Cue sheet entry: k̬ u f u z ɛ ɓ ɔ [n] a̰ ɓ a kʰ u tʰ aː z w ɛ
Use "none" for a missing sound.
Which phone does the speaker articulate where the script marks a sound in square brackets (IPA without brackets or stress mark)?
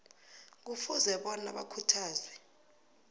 n